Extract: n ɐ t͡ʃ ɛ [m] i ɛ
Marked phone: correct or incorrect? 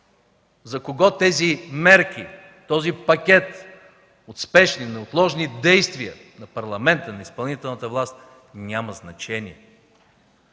incorrect